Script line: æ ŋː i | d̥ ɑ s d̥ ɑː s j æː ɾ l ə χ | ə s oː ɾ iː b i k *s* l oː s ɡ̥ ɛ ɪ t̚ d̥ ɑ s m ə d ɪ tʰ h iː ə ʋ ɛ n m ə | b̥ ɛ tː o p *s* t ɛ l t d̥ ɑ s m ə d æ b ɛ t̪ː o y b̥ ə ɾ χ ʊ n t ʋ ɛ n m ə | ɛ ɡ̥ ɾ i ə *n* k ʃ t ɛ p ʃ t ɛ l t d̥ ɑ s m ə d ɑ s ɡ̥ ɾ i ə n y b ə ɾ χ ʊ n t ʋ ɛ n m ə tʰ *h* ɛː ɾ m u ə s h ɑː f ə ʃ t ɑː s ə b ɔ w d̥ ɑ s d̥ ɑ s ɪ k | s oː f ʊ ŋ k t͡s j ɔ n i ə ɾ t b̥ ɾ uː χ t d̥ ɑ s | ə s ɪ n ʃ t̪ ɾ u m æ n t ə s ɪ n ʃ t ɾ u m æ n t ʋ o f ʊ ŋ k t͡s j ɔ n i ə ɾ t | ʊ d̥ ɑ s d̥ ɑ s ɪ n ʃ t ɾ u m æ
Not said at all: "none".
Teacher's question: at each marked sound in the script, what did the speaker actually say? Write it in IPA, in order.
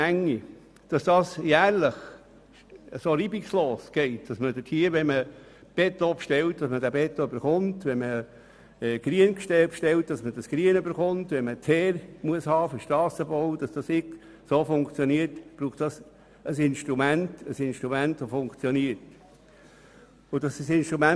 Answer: s, ʃ, n, h

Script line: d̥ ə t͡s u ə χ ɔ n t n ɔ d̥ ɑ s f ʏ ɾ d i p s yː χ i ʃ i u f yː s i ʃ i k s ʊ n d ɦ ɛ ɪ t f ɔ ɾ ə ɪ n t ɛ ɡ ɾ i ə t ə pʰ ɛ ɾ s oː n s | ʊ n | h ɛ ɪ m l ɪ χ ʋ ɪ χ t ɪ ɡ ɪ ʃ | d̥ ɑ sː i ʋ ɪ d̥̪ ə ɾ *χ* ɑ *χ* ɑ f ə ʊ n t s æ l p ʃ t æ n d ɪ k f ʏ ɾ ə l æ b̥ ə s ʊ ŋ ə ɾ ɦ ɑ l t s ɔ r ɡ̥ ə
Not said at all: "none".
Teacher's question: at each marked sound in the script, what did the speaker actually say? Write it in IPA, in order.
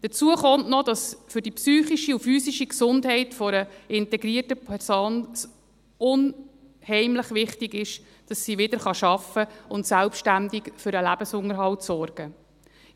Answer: χ, ʃ

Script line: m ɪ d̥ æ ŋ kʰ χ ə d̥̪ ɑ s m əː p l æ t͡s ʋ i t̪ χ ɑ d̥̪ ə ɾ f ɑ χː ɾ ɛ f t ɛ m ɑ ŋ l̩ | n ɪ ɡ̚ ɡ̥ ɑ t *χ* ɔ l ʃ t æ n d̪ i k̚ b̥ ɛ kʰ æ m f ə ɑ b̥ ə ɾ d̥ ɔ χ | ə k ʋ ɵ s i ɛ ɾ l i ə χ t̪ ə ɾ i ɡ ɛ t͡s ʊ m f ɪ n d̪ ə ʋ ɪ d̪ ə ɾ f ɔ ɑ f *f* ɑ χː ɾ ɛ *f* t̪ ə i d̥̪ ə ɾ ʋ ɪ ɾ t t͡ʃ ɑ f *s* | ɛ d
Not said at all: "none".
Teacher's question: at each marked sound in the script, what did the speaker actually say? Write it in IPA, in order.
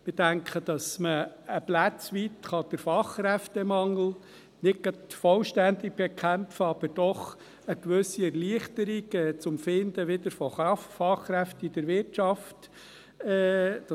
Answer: f, f, f, t

